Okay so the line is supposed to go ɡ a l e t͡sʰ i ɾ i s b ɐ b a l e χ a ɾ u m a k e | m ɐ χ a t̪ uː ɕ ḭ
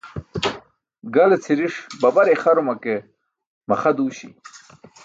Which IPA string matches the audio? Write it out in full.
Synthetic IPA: ɡ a l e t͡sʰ i ɾ i ʂ b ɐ b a ɾ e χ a ɾ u m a k e | m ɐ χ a d̪ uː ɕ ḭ